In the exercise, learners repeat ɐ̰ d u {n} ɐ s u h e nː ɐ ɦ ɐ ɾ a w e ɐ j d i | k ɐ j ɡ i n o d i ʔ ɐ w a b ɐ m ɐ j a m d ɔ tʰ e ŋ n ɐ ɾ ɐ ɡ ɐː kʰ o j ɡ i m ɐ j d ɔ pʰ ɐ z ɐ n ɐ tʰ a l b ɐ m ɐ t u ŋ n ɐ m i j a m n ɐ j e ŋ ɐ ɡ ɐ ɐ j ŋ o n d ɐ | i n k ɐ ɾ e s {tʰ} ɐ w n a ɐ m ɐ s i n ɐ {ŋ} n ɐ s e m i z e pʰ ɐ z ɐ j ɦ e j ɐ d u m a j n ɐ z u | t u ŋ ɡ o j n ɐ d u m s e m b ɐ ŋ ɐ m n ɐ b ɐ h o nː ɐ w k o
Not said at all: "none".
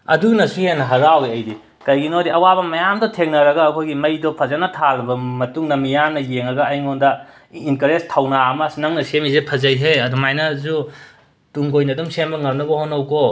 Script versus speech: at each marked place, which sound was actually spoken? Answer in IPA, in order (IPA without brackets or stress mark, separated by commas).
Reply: n, tʰ, ŋ